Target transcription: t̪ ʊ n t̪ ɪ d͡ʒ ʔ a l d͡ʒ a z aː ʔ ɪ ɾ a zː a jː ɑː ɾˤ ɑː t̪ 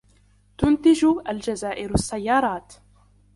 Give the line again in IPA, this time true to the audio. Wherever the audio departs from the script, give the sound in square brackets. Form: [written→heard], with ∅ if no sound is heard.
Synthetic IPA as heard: t̪ ʊ n t̪ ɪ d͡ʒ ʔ a l d͡ʒ a z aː ʔ ɪ ɾ a [zː→sː] a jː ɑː ɾˤ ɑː t̪